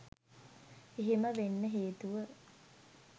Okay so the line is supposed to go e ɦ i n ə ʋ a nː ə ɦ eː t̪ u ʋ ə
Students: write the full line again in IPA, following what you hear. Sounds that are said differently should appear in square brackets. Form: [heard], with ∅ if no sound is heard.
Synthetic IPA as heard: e ɦ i [m] ə ʋ [e] nː ə ɦ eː t̪ u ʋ ə

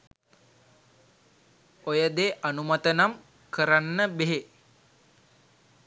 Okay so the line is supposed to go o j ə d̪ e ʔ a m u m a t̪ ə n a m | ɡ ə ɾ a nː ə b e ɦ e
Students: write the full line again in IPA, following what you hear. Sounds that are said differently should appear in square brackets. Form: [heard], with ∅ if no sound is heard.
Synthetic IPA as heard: o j ə d̪ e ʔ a [n] u m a t̪ ə n a m | [k] ə ɾ a nː ə b e ɦ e

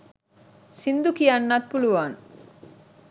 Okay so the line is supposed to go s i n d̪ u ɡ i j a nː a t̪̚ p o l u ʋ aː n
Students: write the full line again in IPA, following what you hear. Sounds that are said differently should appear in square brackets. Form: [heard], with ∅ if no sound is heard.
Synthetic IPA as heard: s i n d̪ u [k] i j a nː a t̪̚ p [u] l u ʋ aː n

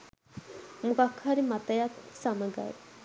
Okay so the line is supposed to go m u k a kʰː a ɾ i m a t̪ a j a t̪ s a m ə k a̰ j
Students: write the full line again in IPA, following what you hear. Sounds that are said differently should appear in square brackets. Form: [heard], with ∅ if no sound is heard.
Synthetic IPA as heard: m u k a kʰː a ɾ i m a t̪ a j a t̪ s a m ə [ɡ] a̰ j

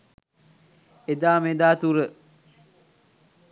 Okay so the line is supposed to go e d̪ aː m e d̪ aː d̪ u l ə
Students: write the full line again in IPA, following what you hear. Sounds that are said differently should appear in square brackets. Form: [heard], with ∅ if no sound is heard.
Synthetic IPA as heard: e d̪ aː m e d̪ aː [t̪] u [ɾ] ə

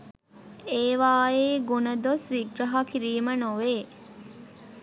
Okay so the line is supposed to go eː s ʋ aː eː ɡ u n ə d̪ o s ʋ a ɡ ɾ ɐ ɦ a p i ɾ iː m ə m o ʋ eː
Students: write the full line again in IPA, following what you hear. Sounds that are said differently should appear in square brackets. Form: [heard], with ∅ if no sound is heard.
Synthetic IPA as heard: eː [∅] ʋ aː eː ɡ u n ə d̪ o s ʋ [i] ɡ ɾ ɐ ɦ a [k] i ɾ iː m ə [n] o ʋ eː

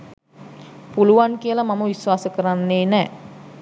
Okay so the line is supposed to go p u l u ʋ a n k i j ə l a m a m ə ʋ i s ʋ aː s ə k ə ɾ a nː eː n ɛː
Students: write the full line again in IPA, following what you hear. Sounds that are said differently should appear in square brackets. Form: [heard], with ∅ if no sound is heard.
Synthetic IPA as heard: p u l u ʋ a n k i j ə l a m a m ə ʋ i s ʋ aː s ə k ə ɾ a nː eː n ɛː

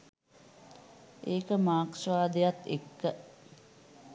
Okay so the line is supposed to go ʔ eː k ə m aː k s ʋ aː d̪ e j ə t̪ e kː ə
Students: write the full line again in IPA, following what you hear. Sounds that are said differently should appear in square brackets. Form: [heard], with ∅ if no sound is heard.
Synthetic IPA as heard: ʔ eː k ə m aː k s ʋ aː d̪ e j [a] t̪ e kː ə

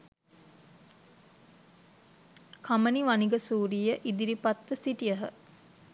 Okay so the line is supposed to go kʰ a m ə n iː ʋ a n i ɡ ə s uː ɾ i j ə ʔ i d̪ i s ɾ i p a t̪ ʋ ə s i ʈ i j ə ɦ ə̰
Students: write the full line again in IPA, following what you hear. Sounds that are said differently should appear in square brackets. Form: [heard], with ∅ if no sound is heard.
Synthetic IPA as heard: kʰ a m ə n [i] ʋ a n i ɡ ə s uː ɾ i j ə ʔ i d̪ i [∅] ɾ i p a t̪ ʋ ə s i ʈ i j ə ɦ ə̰

